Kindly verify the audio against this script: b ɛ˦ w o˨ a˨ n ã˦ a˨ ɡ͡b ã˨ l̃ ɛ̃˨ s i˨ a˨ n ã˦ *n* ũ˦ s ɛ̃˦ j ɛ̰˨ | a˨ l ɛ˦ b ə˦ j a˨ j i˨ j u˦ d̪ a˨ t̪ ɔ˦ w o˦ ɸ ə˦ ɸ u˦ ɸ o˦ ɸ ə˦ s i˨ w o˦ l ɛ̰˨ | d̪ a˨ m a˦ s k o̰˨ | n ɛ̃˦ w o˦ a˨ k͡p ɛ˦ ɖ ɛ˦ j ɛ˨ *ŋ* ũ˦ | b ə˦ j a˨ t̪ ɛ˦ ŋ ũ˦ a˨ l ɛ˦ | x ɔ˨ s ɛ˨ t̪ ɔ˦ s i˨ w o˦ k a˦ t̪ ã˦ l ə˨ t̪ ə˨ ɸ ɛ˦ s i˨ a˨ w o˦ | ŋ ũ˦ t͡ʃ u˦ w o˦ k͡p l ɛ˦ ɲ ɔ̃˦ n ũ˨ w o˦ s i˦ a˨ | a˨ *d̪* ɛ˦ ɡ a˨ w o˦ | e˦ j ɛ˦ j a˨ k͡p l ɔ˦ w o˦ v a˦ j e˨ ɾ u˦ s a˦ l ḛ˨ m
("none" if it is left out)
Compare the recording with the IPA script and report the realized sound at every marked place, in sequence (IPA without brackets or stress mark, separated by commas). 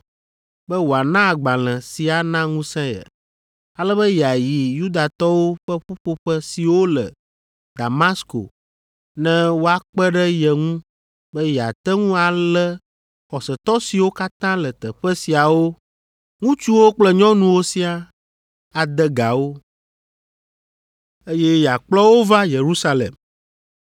ŋ, ŋ, d̪